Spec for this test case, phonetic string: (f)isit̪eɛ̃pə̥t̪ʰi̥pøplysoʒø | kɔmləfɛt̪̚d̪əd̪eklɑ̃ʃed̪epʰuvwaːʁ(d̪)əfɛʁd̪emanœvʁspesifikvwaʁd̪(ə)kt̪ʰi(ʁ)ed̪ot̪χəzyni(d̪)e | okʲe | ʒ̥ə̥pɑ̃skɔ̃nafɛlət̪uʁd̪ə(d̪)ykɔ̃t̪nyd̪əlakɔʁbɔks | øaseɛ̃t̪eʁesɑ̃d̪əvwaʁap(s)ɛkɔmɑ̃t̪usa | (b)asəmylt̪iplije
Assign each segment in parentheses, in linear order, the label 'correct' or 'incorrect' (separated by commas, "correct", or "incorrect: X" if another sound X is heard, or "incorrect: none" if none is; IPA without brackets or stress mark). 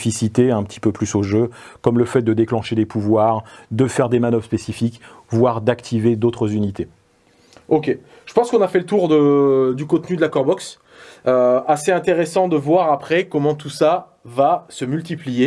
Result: correct, correct, incorrect: a, incorrect: v, incorrect: t̪, correct, incorrect: χ, incorrect: v